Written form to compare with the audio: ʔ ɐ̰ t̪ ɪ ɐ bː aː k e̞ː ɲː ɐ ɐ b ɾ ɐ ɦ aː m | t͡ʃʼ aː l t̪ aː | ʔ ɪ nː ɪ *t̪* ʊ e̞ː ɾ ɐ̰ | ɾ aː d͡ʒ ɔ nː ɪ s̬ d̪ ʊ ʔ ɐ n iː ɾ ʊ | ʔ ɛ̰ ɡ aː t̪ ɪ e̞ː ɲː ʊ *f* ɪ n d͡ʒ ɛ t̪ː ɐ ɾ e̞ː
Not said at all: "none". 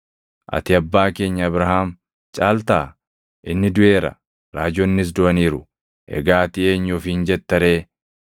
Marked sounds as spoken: d̪, f

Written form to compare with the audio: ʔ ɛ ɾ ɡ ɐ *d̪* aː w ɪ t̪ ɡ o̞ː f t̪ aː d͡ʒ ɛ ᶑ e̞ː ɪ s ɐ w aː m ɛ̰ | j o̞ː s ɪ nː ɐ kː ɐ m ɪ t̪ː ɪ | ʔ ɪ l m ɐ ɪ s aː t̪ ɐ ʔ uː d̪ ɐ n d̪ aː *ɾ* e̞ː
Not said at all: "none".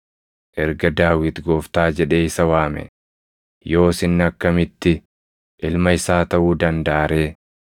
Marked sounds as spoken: d̪, ɾ

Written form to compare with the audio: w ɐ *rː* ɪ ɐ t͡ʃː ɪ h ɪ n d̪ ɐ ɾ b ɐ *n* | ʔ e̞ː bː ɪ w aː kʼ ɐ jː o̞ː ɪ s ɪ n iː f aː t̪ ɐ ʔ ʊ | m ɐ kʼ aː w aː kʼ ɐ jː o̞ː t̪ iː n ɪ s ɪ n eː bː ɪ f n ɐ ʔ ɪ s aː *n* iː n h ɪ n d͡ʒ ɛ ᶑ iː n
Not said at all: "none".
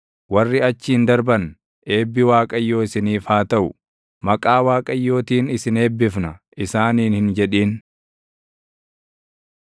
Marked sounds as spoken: rː, n, n

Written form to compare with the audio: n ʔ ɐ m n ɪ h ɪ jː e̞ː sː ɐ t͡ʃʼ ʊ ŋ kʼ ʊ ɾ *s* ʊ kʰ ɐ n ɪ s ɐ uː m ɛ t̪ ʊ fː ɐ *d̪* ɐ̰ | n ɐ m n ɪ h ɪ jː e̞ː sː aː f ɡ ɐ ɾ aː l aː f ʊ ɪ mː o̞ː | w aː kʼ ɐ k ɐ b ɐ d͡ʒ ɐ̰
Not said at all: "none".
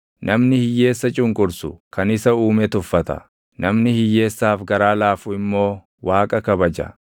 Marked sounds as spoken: s, t̪

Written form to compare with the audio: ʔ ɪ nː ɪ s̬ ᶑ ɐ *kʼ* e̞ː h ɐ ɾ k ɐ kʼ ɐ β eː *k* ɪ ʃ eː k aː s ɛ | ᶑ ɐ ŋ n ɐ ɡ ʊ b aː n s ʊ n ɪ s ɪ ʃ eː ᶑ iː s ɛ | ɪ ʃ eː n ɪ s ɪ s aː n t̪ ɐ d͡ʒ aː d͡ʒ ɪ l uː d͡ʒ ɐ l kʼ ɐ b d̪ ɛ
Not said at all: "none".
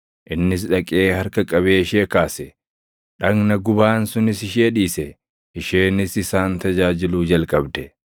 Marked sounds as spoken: kʼ, none

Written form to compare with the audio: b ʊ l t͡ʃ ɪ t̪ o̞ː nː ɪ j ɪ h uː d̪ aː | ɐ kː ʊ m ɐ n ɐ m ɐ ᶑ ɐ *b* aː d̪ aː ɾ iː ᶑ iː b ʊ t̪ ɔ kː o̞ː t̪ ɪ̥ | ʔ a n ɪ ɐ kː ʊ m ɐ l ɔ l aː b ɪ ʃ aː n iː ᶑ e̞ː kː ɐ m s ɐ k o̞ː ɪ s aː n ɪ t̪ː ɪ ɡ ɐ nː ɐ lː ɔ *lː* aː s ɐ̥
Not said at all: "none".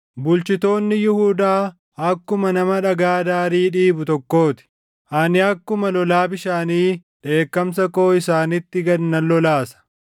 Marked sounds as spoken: ɡ, l

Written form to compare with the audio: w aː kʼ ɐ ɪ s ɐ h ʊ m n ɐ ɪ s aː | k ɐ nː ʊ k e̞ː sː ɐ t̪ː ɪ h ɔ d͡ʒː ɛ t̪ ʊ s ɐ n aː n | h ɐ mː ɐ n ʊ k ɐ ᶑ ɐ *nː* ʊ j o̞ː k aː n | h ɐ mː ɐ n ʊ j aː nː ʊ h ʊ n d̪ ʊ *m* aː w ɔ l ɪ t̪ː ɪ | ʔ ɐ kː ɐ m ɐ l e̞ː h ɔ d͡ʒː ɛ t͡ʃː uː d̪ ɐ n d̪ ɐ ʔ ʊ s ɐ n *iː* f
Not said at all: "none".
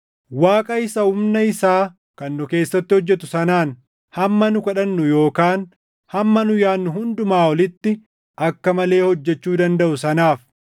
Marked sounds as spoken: nː, m, aː

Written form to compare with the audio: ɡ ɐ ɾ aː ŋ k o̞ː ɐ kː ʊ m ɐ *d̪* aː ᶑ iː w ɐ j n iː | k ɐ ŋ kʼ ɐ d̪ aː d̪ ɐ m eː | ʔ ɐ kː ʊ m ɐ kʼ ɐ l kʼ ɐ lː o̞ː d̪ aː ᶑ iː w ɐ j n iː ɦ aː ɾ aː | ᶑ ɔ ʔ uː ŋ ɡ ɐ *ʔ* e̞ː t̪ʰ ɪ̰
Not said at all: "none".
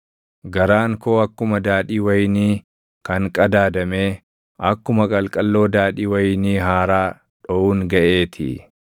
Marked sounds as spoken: d̪, ʔ

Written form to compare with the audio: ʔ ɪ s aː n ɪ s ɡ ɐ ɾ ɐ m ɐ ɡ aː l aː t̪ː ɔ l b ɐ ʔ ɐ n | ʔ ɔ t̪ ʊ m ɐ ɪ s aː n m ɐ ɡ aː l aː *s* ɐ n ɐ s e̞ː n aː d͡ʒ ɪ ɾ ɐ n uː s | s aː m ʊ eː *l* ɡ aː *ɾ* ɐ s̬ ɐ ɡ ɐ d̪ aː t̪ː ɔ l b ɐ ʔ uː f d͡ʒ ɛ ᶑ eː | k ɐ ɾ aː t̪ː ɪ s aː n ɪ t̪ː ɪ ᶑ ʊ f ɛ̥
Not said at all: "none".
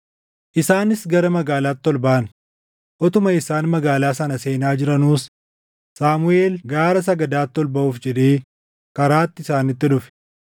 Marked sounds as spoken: s, l, ɾ

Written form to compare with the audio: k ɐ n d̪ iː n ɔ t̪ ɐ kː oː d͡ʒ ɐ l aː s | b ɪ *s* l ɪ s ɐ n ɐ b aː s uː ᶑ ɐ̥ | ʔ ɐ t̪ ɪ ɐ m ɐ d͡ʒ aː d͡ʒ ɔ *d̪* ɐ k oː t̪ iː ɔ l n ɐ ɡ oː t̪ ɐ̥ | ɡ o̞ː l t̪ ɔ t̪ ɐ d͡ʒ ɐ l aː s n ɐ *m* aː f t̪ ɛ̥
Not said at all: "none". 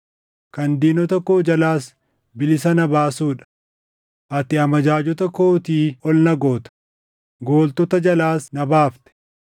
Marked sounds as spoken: none, t̪, b

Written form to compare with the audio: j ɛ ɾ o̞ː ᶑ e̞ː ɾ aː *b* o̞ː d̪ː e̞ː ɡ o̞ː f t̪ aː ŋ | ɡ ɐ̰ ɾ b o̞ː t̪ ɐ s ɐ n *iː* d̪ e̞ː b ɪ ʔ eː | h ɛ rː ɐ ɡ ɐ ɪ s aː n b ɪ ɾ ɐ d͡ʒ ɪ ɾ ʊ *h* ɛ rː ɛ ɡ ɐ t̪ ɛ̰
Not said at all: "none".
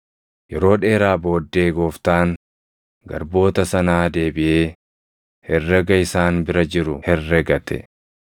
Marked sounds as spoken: b, aː, h

